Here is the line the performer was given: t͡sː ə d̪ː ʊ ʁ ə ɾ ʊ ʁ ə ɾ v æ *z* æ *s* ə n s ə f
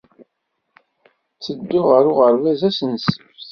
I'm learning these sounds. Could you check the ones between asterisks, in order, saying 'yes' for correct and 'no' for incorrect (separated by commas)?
yes, yes